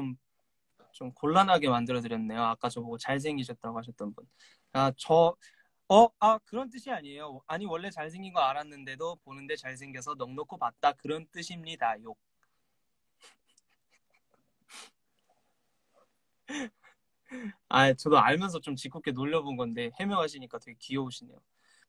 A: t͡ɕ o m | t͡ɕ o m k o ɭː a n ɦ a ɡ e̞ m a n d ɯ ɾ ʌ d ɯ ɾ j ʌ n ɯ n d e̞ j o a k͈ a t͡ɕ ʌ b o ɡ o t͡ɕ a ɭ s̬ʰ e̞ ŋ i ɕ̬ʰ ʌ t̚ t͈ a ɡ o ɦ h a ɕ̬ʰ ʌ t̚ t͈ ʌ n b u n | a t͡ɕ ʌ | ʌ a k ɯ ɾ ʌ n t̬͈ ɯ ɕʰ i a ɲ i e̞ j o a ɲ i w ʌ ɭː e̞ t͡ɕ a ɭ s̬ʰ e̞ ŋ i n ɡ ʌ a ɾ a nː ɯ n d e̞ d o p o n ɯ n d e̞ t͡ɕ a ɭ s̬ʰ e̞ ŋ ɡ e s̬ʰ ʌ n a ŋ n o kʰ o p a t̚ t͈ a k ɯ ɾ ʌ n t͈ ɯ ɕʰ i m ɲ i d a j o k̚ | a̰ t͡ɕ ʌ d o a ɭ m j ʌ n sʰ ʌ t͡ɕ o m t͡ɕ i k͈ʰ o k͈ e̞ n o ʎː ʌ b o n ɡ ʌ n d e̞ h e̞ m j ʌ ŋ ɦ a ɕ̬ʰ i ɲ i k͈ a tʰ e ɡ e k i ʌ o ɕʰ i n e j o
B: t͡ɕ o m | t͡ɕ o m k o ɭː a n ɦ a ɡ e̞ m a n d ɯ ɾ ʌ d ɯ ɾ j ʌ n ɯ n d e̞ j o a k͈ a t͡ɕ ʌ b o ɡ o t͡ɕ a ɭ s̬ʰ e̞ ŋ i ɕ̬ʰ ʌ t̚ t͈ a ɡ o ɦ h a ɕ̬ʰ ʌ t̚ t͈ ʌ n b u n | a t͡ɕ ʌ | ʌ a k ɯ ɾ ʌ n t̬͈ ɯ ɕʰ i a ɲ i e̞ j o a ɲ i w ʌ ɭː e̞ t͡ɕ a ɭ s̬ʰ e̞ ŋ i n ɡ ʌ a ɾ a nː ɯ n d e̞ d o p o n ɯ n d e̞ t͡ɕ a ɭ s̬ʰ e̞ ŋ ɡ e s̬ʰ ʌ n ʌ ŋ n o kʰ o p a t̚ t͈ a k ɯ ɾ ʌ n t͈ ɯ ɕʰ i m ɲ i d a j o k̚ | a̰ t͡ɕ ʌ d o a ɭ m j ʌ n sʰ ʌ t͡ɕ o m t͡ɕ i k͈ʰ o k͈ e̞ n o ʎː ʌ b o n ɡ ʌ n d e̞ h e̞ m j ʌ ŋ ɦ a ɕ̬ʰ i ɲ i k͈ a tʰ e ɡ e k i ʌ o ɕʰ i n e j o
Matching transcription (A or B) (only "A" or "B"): B